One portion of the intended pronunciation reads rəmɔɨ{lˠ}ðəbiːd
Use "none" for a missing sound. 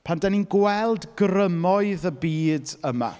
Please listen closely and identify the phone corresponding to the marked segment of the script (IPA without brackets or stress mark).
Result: none